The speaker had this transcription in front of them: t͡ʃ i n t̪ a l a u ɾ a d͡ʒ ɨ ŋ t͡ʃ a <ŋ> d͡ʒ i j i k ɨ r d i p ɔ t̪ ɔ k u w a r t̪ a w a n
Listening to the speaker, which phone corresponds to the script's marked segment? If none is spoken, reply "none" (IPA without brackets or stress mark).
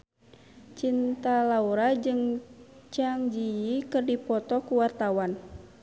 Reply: ŋ